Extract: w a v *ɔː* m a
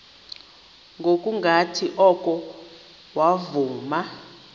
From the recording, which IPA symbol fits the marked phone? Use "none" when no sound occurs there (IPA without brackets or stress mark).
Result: uː